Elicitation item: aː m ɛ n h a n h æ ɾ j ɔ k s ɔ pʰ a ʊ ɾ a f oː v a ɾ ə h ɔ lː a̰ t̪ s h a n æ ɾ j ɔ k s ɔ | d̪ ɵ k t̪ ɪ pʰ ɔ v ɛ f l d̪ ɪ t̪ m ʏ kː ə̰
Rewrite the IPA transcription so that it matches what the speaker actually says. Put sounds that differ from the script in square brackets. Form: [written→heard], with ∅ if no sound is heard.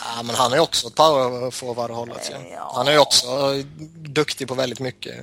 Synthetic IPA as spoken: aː m ɛ n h a n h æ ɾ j ɔ k s ɔ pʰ a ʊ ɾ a f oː v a ɾ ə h ɔ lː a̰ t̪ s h a n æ ɾ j ɔ k s ɔ | d̪ ɵ k t̪ ɪ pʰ ɔ v ɛ [f→∅] l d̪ ɪ t̪ m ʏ kː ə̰